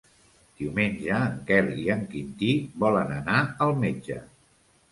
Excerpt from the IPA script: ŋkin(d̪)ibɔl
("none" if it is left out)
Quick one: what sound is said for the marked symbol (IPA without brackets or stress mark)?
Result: t̪